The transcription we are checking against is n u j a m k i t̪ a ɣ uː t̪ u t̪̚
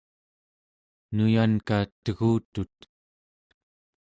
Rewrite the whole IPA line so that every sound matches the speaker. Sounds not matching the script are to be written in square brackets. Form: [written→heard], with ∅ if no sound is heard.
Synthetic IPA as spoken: n u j a [m→n] k [i→a] t̪ [a→ə] ɣ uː t̪ u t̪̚